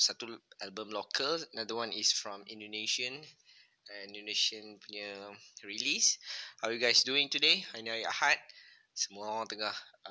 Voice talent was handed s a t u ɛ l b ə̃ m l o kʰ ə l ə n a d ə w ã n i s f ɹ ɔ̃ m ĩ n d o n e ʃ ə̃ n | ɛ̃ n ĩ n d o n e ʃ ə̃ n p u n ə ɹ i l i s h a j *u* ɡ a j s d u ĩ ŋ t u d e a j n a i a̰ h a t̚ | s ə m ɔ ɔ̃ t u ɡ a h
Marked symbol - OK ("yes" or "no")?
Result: yes